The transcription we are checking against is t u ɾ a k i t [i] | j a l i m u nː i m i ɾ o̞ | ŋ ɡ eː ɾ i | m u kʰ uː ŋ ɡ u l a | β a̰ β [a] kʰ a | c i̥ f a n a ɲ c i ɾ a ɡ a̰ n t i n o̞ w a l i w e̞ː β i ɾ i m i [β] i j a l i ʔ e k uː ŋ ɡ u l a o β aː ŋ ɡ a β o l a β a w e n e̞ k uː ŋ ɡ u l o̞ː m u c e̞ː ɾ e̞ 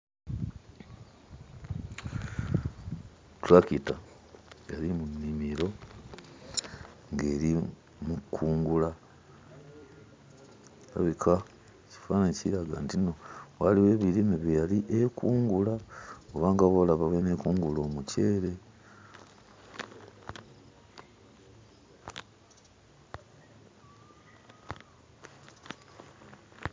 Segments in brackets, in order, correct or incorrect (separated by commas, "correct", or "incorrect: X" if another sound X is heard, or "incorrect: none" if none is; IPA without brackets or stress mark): incorrect: a, incorrect: i, correct